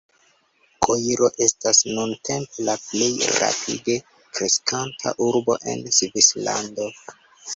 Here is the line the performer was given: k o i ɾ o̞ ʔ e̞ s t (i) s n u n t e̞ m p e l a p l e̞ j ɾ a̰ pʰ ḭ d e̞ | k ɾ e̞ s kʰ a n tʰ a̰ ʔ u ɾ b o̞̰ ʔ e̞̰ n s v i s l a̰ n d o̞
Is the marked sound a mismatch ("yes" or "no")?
yes